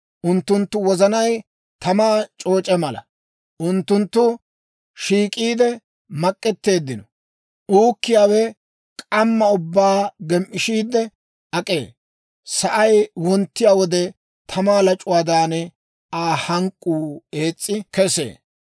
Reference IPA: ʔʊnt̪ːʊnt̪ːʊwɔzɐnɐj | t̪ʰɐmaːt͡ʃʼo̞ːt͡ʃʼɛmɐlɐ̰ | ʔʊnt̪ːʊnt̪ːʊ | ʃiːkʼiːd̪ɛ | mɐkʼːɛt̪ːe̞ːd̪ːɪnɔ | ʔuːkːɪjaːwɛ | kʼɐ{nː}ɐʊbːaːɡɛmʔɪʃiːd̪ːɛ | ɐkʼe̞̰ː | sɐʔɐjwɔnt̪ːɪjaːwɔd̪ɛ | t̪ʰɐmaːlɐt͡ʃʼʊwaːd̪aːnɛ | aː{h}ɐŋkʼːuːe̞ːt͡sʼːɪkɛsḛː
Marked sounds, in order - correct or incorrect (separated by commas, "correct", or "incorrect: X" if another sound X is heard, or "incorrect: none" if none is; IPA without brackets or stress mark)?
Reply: incorrect: mː, correct